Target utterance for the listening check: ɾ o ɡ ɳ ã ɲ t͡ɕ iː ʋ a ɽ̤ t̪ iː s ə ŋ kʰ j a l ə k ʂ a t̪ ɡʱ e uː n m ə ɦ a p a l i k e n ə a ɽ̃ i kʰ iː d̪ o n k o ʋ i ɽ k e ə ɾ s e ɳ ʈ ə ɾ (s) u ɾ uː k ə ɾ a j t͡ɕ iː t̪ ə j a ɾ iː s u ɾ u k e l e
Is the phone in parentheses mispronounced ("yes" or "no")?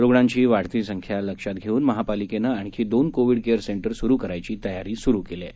no